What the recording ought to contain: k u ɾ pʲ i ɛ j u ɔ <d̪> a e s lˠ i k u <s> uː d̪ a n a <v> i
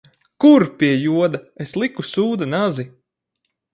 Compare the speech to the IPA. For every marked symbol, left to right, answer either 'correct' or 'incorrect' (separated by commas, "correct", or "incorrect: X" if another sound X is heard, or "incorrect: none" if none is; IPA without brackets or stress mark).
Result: correct, correct, incorrect: z